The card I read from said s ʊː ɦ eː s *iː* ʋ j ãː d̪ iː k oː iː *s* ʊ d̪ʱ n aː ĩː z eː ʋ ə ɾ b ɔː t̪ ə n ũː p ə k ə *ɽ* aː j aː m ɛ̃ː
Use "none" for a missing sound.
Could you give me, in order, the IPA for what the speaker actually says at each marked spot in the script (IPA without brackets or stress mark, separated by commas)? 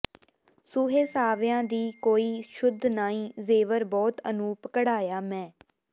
aː, ʃ, ɽ